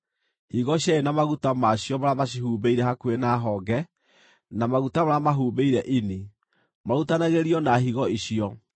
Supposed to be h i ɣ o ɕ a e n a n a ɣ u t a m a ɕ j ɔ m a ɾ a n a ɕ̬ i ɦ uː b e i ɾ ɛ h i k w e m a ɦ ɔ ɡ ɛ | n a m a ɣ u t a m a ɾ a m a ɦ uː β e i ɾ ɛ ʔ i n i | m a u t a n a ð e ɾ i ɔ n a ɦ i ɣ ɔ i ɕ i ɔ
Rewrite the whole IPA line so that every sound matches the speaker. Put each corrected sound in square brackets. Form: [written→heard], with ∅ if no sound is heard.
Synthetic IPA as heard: h i ɣ [o→ɔ] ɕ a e n a [n→m] a ɣ u t a m a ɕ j ɔ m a ɾ a [n→m] a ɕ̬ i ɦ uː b e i ɾ ɛ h [i→a] k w e [m→n] a ɦ ɔ ɡ ɛ | n a m a ɣ u t a m a ɾ a m a ɦ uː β e i ɾ ɛ ʔ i n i | m a u t a n a [ð→ɣ] e ɾ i ɔ n a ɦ i ɣ ɔ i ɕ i ɔ